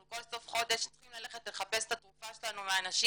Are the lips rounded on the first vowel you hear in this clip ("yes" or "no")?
yes